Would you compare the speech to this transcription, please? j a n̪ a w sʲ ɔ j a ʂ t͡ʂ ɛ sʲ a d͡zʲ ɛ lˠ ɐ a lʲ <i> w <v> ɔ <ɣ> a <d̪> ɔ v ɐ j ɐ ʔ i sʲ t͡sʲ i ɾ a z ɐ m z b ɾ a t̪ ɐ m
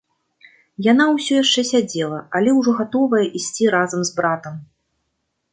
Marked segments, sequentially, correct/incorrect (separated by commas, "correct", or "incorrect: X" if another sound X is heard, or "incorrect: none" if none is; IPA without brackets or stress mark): incorrect: ɛ, incorrect: ʐ, correct, incorrect: t̪